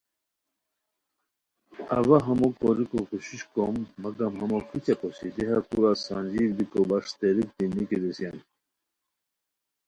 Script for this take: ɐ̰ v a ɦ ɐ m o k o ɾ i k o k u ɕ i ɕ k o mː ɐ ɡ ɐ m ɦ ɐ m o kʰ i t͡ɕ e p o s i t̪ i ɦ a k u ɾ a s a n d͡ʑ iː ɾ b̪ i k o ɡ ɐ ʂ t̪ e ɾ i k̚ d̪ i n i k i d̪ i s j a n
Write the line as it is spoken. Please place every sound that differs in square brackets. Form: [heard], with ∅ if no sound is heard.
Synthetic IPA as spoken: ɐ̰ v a ɦ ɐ m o k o ɾ i k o k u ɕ i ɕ k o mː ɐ ɡ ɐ m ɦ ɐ m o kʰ i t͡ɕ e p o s i [d̪] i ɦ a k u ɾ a s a n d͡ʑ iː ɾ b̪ i k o [b] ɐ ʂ t̪ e ɾ i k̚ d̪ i n i k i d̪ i s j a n